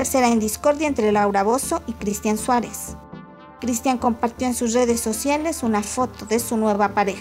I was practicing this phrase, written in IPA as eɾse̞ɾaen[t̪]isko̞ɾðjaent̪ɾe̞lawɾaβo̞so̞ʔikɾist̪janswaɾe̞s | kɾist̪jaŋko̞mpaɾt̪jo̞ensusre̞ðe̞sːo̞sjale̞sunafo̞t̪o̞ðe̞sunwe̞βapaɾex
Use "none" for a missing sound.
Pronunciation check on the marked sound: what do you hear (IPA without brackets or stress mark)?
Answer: d̪